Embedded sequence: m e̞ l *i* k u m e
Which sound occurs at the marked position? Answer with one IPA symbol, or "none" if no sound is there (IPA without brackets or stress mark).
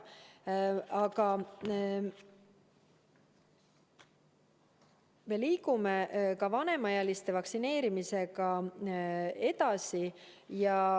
iː